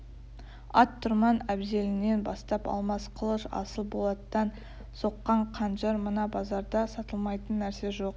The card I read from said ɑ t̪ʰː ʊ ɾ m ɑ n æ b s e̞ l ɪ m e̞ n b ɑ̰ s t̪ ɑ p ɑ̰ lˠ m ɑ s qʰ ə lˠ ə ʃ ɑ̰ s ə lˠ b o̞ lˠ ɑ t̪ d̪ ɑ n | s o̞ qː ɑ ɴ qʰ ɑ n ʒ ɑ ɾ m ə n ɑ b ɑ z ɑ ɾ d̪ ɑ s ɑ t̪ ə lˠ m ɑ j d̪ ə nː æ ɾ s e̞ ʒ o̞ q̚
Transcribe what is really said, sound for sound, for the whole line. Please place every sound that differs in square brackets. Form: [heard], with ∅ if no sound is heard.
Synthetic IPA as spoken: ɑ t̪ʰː ʊ ɾ m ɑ n æ b [z] e̞ l ɪ [n] e̞ n b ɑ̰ s t̪ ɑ p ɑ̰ lˠ m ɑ s qʰ ə lˠ ə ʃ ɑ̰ s ə lˠ b o̞ lˠ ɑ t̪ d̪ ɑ n | s o̞ qː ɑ ɴ qʰ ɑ n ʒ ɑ ɾ m ə n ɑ b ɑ z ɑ ɾ d̪ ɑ s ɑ t̪ ə lˠ m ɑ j [t̪] ə nː æ ɾ s e̞ ʒ o̞ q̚